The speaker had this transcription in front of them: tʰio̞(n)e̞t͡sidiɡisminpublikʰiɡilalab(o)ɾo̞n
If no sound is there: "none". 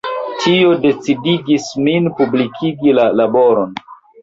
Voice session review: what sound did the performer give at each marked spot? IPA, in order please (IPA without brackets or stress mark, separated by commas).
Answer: d, o